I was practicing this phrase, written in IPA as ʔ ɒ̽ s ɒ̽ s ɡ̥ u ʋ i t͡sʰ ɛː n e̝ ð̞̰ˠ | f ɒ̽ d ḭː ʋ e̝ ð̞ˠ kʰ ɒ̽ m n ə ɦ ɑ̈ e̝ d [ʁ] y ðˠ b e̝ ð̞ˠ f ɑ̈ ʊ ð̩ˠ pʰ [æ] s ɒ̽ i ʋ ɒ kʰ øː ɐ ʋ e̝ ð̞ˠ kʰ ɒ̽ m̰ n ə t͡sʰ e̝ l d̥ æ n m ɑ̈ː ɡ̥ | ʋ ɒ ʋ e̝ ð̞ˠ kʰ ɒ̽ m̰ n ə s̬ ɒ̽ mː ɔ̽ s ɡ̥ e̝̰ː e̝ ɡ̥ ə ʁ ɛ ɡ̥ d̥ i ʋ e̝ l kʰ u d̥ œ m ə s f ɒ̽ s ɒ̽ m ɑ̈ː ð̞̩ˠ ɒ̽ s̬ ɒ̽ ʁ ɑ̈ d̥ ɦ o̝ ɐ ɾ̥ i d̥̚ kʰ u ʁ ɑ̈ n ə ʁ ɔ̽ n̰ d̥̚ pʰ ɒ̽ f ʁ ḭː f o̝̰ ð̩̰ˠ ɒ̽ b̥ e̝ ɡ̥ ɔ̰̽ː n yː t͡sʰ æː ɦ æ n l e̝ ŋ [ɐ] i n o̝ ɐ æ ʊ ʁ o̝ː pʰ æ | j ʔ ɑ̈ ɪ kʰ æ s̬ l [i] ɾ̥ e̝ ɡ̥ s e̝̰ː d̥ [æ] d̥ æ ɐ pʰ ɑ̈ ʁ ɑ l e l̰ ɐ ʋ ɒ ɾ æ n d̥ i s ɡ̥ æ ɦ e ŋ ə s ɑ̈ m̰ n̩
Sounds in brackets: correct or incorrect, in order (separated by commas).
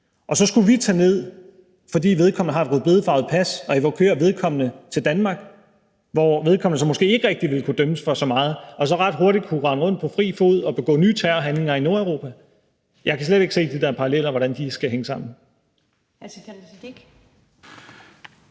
correct, correct, correct, incorrect, incorrect